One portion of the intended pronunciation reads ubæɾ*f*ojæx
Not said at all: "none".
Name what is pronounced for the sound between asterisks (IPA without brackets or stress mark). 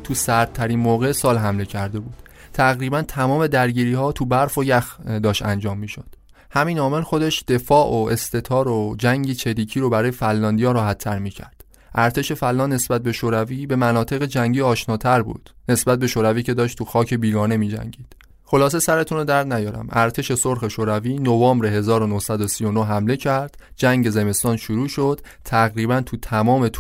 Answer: f